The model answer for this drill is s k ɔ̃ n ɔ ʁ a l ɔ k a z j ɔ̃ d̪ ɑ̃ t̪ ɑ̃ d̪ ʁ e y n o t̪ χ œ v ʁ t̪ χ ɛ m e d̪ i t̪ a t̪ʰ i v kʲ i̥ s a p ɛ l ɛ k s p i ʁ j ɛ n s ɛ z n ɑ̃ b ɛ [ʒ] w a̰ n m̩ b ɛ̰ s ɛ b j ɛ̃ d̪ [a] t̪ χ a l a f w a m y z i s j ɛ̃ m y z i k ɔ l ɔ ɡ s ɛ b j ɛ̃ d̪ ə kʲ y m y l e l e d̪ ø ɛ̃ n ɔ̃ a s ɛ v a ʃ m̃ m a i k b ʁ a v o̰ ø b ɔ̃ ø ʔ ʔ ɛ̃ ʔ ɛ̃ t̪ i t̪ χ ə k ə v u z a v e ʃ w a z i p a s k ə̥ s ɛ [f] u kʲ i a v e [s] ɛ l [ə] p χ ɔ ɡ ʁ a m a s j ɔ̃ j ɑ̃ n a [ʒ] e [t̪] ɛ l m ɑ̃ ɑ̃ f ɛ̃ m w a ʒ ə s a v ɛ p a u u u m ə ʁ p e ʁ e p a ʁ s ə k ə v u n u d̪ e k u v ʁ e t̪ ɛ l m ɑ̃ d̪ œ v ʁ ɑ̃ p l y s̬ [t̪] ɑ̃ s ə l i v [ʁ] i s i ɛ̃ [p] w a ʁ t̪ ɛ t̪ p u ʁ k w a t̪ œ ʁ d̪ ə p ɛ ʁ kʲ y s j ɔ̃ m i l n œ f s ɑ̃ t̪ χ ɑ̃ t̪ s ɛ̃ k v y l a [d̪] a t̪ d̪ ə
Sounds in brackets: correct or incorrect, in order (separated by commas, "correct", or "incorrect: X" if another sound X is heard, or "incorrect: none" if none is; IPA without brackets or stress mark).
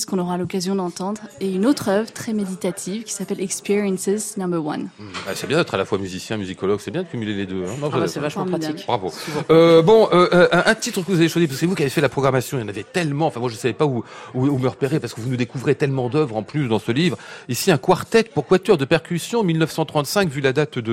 incorrect: ʁ, incorrect: ɛ, incorrect: v, incorrect: f, incorrect: a, incorrect: v, correct, incorrect: d̪, correct, incorrect: k, correct